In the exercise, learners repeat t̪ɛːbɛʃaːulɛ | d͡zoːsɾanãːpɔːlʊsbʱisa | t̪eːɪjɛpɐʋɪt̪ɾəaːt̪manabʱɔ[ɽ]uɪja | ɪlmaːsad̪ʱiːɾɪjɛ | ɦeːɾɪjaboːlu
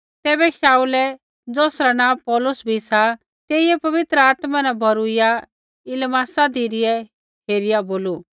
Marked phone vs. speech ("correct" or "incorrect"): incorrect